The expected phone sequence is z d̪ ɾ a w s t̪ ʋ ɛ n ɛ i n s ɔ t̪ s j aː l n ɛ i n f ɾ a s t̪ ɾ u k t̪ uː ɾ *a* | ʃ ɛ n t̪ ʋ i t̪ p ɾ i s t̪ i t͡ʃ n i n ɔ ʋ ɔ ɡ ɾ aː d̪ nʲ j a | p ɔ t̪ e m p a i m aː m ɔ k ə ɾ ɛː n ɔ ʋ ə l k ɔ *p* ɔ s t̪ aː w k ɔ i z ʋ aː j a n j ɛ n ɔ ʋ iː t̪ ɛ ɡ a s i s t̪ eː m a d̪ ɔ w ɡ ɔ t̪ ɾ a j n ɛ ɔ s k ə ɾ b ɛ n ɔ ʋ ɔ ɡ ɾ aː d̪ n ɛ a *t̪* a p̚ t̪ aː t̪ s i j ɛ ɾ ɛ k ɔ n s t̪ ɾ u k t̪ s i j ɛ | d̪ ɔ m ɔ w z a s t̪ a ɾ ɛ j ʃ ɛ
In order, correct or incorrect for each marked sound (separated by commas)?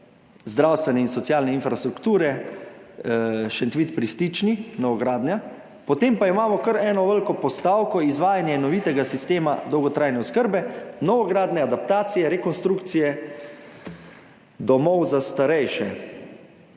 incorrect, correct, incorrect